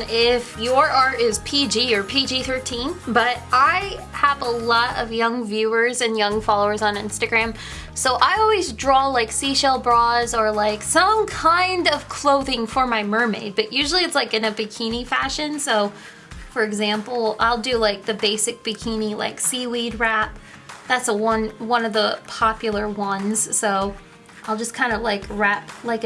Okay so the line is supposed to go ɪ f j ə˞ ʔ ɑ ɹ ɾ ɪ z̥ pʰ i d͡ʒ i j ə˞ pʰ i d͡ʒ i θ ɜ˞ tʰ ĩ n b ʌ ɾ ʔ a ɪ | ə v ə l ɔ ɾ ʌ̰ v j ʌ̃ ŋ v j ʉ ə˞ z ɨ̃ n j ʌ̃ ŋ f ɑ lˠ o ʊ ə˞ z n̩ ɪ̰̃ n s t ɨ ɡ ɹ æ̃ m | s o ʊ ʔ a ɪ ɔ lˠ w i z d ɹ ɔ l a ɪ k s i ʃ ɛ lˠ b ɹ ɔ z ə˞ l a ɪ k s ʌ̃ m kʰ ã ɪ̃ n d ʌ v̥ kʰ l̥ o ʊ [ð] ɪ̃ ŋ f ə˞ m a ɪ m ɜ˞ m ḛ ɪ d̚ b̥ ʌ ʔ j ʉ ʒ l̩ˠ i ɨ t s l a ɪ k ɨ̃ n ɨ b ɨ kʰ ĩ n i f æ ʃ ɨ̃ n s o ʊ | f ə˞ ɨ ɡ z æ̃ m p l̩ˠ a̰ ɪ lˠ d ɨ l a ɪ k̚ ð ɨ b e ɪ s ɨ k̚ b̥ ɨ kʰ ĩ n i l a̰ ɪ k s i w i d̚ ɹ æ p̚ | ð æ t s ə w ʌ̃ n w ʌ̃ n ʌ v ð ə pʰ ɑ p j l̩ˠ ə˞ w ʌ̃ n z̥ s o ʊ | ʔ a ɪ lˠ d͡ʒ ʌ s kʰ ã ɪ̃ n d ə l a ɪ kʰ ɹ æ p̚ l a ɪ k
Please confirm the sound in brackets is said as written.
yes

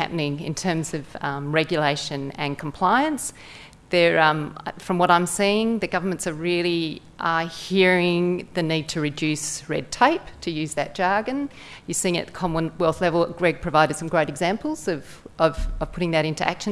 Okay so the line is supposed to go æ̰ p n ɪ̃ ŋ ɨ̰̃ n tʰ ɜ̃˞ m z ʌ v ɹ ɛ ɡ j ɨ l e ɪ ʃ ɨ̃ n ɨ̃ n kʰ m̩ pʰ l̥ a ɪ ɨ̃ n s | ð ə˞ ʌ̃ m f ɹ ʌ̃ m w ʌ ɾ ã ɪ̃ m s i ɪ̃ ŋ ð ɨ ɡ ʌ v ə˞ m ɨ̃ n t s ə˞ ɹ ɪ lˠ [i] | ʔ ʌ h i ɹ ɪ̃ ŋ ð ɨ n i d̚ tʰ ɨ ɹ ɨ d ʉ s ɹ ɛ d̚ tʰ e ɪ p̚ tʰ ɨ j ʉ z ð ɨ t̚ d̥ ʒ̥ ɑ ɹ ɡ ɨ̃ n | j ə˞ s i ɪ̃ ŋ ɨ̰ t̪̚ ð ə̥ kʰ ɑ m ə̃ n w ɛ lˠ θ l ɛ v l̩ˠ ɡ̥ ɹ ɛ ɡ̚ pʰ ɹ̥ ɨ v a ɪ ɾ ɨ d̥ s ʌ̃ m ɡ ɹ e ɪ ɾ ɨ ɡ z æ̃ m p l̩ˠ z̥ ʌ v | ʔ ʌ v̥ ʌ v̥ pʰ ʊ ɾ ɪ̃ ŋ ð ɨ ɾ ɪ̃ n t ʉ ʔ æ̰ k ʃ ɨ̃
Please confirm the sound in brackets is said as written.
yes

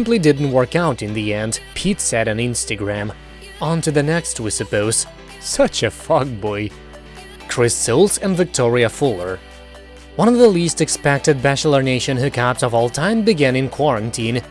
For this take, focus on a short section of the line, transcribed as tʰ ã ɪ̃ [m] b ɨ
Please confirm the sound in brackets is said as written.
yes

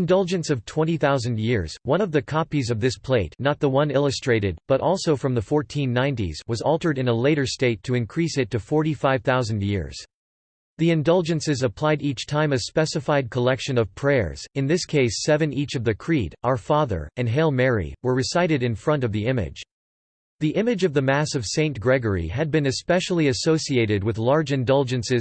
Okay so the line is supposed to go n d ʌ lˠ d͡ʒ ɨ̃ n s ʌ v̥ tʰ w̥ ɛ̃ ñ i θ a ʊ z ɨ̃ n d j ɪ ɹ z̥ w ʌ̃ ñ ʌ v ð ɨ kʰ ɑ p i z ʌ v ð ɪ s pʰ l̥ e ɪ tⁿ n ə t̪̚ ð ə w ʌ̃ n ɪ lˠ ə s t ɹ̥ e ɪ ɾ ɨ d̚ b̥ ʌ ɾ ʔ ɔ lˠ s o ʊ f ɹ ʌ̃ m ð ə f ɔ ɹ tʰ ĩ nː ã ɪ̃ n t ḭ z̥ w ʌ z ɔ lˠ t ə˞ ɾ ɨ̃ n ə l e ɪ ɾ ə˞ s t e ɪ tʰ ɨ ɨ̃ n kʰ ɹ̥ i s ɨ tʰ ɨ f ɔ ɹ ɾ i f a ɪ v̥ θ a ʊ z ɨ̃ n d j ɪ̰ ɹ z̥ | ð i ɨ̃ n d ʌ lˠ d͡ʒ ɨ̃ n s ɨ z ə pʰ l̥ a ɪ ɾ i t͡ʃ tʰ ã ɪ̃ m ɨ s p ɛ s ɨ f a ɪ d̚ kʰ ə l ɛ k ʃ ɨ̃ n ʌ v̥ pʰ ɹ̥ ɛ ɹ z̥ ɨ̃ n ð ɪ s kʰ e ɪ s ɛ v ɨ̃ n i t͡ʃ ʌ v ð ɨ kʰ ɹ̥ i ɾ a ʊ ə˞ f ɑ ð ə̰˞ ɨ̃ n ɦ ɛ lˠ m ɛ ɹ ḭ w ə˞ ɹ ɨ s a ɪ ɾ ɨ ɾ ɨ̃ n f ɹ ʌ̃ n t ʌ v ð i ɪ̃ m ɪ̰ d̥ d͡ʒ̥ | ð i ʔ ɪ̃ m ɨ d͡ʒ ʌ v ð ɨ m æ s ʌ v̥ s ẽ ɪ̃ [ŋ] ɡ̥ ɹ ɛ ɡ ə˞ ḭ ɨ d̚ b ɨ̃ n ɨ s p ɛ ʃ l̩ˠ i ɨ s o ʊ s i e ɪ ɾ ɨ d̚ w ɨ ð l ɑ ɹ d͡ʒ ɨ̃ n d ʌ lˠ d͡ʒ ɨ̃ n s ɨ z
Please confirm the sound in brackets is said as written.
no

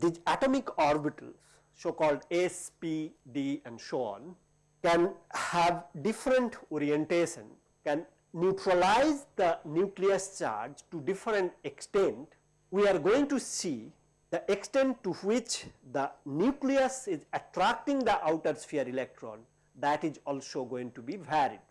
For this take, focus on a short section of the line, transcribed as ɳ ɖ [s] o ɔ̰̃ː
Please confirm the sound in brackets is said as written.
yes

